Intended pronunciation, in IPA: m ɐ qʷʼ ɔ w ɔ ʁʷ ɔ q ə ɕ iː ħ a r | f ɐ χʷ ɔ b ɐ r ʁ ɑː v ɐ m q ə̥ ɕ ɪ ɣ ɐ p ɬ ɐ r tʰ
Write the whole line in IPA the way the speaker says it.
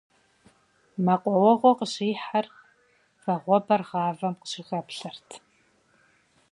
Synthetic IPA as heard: m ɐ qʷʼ ɔ w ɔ ʁʷ ɔ q ə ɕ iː ħ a r | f ɐ ʁʷ ɔ b ɐ r ʁ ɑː v ɐ m q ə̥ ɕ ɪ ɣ ɐ p ɬ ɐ r tʰ